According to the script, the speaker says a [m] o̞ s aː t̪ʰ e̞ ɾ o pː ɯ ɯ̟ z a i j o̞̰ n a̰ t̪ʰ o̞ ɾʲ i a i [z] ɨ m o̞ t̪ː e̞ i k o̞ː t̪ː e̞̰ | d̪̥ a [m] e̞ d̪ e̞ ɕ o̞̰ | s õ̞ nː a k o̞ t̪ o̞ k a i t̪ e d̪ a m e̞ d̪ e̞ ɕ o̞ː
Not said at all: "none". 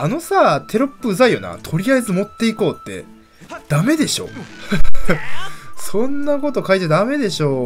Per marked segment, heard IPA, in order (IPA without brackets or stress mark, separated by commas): n, z, m